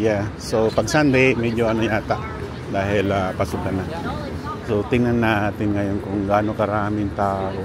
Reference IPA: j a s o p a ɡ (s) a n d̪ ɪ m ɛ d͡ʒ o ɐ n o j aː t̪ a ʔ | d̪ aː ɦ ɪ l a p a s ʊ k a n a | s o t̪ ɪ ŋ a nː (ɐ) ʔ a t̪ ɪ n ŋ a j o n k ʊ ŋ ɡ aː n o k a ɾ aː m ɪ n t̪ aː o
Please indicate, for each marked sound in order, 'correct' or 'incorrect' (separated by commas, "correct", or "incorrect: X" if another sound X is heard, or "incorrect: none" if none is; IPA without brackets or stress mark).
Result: correct, incorrect: a